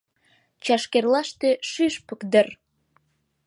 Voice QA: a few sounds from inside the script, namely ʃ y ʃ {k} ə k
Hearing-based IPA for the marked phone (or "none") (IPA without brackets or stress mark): p